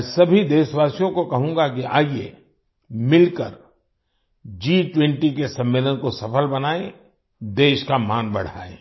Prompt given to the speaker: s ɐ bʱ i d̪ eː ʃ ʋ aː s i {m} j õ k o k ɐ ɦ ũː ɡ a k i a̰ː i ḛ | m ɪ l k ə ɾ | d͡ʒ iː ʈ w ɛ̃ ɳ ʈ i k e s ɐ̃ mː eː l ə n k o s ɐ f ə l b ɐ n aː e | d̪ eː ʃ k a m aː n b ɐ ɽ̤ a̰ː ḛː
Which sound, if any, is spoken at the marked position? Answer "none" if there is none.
none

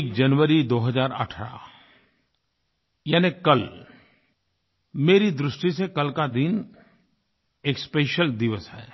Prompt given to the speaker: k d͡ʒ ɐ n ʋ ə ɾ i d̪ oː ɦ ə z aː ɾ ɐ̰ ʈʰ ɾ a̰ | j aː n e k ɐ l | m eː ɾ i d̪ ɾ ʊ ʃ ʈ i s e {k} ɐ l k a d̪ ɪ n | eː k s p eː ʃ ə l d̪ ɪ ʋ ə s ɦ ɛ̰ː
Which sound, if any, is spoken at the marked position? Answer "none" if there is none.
k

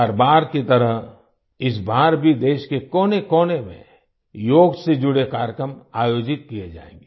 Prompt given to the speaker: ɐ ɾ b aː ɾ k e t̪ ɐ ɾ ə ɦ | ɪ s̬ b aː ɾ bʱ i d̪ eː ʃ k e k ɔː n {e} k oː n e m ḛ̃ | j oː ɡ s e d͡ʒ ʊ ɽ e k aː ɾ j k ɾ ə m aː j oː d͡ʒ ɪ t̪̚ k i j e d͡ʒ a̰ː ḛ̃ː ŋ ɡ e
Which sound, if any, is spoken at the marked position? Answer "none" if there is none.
e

